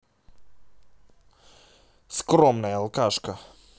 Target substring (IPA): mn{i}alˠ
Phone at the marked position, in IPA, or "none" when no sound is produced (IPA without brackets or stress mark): a